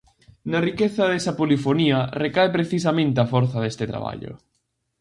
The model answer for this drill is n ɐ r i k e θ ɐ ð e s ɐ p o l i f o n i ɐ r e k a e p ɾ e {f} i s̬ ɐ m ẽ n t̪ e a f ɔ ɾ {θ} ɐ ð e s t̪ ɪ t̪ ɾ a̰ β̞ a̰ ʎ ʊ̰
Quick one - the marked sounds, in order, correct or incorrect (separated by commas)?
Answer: incorrect, correct